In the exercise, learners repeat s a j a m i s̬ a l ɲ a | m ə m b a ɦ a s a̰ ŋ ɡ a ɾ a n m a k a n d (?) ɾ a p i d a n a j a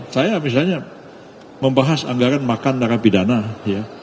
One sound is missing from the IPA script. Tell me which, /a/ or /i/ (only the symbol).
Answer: a